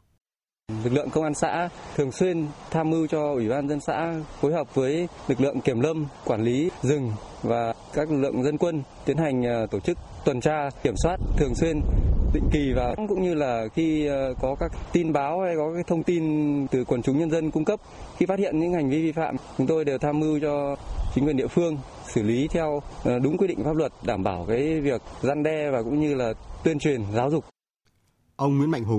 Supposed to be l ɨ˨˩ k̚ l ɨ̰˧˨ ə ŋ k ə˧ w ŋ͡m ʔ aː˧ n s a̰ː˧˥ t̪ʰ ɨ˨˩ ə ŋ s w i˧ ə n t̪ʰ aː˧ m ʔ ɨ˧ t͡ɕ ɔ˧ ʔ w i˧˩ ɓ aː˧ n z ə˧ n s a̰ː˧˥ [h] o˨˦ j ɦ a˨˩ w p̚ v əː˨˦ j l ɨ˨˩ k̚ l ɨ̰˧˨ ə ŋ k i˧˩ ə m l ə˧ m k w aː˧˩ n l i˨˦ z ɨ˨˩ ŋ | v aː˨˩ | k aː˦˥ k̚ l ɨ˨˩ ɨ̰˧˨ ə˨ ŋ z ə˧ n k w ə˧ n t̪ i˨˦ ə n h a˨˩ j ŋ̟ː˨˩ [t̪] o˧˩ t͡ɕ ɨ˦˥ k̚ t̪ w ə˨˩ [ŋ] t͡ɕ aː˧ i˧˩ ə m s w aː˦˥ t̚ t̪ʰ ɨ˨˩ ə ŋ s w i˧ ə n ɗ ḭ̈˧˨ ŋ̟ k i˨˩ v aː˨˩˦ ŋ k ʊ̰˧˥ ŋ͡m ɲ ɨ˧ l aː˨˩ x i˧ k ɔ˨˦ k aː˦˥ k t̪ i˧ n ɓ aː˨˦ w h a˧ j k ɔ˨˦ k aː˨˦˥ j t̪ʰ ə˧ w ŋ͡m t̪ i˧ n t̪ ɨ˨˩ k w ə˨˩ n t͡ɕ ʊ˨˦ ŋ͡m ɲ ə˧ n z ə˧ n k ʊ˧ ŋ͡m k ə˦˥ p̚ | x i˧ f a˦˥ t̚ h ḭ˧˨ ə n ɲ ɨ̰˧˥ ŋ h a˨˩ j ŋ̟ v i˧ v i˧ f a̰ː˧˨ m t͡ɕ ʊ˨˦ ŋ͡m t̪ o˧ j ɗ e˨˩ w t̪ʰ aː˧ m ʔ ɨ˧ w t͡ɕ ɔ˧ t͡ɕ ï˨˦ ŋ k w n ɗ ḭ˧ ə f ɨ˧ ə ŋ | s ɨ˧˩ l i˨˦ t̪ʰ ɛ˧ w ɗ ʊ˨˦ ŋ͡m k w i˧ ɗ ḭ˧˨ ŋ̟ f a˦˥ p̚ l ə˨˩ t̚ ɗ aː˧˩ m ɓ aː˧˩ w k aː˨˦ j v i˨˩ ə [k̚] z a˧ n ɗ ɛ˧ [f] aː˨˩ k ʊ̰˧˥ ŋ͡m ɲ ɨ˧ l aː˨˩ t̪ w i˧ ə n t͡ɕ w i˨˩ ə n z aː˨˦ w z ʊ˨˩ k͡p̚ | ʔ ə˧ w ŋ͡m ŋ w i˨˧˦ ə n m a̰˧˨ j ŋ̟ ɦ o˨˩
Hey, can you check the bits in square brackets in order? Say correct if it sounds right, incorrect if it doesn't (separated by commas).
incorrect, correct, incorrect, correct, incorrect